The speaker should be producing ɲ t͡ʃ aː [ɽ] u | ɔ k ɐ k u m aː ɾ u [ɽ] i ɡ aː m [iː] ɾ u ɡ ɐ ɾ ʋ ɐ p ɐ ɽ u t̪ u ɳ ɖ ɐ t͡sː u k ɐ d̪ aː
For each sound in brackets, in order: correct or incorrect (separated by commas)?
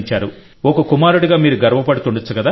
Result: incorrect, correct, correct